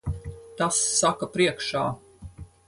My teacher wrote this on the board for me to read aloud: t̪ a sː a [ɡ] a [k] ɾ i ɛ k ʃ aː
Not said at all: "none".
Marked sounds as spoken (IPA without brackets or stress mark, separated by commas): k, p